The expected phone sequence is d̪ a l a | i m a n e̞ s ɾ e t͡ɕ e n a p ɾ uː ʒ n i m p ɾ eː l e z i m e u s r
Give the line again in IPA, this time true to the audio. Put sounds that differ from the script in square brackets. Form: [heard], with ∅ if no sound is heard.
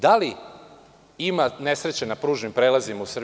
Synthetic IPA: d̪ a l [i] | i m a n e̞ s ɾ e t͡ɕ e n a p ɾ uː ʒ n i m p ɾ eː l [a] z i m [a] u s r